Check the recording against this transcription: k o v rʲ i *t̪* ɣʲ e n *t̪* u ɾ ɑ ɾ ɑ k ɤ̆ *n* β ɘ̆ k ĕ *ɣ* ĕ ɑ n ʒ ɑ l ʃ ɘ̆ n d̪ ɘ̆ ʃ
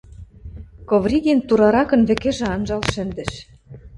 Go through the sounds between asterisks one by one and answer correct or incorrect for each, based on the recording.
incorrect: none, correct, correct, incorrect: ʒ

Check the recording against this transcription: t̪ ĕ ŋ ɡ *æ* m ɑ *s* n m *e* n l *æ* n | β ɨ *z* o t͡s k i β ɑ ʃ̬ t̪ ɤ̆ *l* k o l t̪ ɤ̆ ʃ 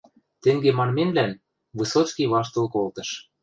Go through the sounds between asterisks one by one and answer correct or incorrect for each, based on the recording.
incorrect: e, incorrect: none, correct, correct, incorrect: s, correct

